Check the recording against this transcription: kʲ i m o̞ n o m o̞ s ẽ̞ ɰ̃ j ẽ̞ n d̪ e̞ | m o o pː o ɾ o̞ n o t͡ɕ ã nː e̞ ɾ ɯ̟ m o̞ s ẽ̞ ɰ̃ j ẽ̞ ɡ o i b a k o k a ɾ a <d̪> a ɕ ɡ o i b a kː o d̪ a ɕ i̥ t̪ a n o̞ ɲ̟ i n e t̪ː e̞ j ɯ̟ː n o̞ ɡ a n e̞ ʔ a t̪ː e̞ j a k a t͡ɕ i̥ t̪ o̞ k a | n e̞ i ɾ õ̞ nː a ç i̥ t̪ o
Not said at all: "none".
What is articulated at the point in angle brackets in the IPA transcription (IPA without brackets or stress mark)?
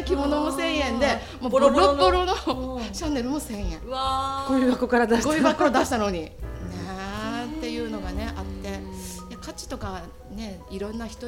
d̪